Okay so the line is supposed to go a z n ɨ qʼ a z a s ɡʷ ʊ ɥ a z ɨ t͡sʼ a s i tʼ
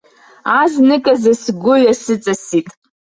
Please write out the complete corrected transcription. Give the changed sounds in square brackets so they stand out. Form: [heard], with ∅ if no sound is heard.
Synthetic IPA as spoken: a z n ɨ [kʼ] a z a s ɡʷ ʊ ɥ a [s] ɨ t͡sʼ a s i tʼ